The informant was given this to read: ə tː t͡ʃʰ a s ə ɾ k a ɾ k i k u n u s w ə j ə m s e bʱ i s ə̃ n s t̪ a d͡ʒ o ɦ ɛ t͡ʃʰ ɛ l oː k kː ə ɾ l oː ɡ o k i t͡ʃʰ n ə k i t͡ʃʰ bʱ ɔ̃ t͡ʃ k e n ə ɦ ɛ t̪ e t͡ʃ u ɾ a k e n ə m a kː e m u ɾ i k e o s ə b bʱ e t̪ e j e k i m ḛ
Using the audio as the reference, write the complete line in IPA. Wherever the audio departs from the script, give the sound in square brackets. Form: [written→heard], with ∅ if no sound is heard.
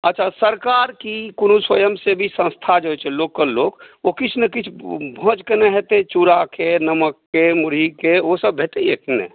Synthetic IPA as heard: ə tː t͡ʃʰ a s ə ɾ k a ɾ k i k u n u s w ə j ə m s e bʱ i s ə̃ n s [t̪→t̪ʰ] a d͡ʒ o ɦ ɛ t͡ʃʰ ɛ l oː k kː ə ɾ l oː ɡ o k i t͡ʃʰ n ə k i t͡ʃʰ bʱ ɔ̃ t͡ʃ k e n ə ɦ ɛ t̪ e t͡ʃ u ɾ a k e n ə m [a→ə] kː e m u ɾ i k e o s ə b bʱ e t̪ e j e k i [m→n] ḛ